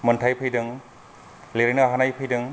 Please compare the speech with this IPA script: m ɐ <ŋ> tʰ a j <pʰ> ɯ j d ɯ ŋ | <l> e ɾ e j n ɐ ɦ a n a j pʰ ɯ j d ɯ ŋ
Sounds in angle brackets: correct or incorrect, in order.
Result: incorrect: n, correct, correct

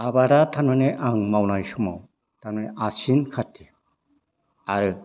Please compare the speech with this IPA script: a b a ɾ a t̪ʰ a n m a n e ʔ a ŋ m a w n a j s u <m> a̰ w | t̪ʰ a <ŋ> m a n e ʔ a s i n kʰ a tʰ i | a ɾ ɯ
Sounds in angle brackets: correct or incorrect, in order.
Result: correct, incorrect: n

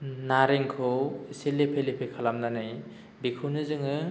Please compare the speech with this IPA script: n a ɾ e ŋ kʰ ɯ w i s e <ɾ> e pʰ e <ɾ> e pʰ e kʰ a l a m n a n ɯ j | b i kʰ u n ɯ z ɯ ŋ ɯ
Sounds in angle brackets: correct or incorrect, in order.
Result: incorrect: l, incorrect: l

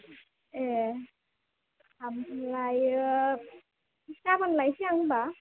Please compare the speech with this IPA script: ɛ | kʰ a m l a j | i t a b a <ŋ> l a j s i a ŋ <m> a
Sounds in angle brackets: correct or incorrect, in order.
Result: incorrect: n, incorrect: b

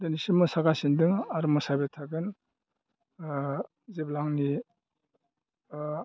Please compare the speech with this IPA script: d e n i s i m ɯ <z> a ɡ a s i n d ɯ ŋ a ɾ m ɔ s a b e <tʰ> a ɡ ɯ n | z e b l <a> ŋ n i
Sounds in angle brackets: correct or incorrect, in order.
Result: incorrect: s, correct, correct

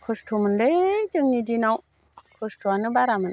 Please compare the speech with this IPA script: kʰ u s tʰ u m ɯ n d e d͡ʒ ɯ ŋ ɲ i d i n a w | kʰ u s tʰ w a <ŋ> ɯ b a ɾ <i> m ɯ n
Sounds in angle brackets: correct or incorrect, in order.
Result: incorrect: n, incorrect: a

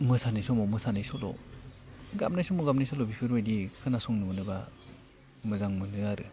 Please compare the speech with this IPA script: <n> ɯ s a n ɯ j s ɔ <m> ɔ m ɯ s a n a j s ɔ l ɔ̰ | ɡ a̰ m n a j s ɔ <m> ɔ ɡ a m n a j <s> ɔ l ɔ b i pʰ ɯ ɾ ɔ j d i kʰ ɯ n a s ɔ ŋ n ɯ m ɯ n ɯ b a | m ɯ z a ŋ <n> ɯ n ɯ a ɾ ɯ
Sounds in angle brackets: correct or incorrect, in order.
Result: incorrect: m, correct, correct, correct, incorrect: m

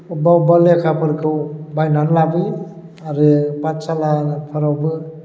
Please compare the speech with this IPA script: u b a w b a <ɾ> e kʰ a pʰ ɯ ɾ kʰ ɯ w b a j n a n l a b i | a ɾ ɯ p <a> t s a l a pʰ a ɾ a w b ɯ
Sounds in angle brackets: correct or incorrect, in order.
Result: incorrect: l, correct

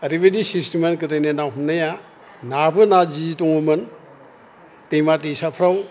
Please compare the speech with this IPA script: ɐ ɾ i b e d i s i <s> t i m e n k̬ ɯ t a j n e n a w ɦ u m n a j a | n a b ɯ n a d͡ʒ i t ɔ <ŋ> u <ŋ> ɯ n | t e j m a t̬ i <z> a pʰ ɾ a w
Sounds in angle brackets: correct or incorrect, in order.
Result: correct, correct, incorrect: m, incorrect: s

